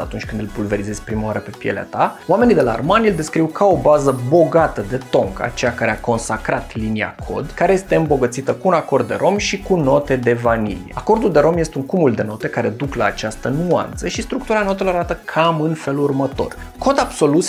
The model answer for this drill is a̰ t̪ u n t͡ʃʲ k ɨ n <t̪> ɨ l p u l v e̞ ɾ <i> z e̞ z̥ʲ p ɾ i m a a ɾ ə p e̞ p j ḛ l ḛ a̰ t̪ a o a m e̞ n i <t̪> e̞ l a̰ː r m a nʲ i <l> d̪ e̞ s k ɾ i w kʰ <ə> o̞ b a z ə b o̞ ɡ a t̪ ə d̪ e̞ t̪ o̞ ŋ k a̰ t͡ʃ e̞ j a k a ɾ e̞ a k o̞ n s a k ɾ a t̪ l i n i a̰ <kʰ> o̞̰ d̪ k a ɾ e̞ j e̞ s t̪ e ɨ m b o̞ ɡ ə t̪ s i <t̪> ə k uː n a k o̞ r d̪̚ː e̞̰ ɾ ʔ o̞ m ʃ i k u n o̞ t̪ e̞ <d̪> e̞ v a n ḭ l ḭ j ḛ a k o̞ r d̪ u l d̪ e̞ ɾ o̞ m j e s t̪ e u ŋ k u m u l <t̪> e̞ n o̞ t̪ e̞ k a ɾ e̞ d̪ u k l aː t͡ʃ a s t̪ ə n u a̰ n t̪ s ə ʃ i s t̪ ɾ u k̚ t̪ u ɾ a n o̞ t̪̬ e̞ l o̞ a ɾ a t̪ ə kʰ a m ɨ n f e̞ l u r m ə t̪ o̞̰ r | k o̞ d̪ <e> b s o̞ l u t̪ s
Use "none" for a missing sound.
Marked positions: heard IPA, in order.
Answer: d̪, i, d̪, l, a, kʰ, t̪, d̪, d̪, a

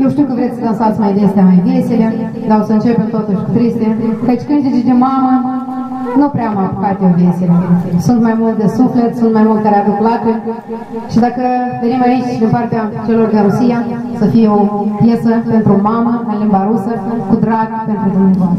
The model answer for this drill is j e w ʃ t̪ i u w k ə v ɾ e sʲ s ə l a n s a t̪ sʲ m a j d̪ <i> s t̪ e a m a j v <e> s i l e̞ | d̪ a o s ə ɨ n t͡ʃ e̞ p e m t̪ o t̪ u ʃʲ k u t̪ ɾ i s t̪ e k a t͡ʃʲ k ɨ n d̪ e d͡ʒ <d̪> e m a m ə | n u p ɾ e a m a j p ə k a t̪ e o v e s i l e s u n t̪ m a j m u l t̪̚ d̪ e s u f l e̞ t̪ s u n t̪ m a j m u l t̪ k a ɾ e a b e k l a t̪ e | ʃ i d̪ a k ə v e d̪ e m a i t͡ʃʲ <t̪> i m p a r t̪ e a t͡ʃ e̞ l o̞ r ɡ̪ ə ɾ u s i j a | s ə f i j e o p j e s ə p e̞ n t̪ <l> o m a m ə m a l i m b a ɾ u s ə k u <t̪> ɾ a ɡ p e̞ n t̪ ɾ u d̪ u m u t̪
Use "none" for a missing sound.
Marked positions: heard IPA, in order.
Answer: e, e, d̪, d̪, ɾ, d̪

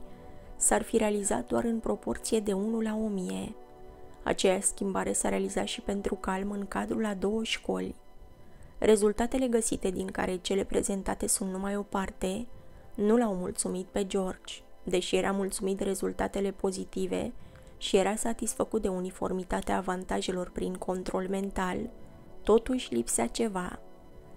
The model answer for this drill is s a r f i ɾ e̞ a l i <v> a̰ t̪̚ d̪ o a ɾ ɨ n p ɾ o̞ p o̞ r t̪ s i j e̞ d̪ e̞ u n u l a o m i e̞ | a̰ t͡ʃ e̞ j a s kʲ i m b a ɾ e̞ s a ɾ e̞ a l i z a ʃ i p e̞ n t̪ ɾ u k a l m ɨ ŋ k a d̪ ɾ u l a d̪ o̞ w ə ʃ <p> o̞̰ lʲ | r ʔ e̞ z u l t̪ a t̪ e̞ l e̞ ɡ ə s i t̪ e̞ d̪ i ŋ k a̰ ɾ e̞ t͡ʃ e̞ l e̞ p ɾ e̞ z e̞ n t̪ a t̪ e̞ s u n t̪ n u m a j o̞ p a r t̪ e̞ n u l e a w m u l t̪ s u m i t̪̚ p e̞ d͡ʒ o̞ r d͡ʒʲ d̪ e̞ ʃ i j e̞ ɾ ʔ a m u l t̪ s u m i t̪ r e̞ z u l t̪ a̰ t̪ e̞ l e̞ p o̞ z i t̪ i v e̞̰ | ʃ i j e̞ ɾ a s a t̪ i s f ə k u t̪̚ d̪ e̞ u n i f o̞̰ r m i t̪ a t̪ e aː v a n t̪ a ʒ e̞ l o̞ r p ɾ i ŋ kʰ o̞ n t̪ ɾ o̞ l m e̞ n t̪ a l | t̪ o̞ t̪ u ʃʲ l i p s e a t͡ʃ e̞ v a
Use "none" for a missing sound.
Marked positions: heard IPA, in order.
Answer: z, k

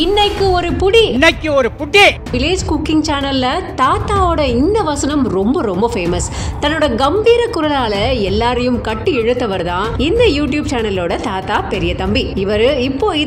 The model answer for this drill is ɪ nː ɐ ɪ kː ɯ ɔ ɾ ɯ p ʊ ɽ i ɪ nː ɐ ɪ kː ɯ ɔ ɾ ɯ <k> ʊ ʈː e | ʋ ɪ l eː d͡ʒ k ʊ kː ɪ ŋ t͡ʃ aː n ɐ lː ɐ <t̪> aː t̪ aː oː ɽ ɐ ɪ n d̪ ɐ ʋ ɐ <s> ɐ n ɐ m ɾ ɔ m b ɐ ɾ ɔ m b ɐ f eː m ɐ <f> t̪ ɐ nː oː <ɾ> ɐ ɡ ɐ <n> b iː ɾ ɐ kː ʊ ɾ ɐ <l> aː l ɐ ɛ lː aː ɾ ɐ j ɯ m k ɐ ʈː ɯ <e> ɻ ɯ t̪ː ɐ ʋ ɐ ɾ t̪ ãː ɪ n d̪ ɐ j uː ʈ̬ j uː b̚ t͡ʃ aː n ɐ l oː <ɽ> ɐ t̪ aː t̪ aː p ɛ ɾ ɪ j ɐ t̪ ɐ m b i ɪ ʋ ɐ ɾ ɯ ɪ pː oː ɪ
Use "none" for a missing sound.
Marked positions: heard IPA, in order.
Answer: p, t̪, s, s, ɽ, m, l, ɛ, ɽ

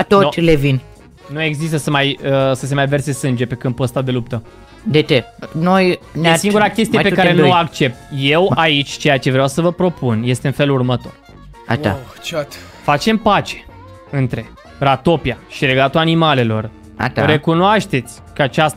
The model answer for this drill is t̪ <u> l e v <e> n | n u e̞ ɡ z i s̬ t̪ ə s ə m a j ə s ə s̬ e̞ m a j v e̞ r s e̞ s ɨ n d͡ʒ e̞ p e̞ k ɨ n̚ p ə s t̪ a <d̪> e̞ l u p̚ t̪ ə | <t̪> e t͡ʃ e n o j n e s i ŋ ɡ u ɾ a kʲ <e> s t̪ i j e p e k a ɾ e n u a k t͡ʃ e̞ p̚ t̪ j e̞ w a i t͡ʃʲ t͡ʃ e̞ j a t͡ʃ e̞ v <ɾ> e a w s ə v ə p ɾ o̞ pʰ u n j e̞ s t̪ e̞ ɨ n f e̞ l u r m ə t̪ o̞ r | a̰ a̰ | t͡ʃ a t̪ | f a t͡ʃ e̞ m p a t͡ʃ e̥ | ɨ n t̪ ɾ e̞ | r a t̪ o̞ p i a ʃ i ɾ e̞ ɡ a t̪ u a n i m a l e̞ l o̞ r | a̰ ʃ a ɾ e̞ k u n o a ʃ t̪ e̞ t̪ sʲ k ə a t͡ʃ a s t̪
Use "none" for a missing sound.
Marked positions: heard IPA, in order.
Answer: o, i, d̪, d̪, e, ɾ

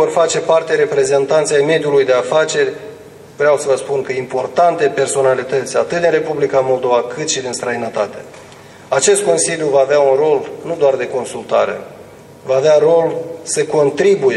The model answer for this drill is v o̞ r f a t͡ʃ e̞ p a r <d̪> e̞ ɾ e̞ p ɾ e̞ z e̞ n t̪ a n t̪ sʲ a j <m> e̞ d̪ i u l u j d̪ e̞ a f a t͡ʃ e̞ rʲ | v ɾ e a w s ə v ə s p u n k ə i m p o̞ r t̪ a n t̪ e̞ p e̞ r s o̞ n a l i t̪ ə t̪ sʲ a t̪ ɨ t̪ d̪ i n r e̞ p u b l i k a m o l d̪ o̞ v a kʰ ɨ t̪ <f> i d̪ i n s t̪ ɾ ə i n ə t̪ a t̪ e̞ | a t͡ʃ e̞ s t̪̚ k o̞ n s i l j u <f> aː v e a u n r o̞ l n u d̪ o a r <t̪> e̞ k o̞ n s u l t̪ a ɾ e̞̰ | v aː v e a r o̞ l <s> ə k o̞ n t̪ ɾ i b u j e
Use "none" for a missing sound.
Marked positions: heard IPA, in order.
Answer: t̪, m, ʃ, v, d̪, s

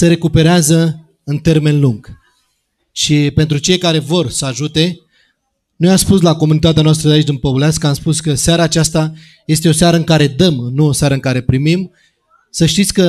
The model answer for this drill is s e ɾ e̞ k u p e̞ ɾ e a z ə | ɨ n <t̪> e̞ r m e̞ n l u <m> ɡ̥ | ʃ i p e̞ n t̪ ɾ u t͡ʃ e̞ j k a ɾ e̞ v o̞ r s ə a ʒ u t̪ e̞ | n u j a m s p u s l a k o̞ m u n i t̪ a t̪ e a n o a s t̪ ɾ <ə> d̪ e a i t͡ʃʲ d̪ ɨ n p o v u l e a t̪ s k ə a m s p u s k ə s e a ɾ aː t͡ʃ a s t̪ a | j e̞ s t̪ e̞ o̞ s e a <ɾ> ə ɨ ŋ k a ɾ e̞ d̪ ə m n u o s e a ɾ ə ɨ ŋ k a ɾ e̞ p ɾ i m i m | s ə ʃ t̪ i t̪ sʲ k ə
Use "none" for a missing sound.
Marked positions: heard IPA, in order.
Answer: t̪, ŋ, ə, ɾ

